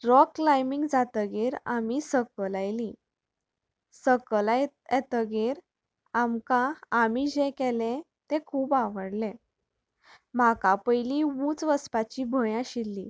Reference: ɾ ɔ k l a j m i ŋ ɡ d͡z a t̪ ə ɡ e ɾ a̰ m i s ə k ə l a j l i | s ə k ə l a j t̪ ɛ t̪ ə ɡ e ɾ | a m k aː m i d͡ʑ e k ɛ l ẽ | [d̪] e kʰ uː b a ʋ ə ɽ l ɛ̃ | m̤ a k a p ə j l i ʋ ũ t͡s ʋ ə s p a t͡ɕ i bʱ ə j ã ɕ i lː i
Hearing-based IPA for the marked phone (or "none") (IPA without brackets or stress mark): t̪